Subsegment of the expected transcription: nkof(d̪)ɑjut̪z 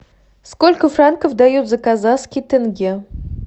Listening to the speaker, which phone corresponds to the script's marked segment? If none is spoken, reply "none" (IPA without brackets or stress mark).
d̪